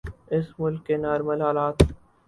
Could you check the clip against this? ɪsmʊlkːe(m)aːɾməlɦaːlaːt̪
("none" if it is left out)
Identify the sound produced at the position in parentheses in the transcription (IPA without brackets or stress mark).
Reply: n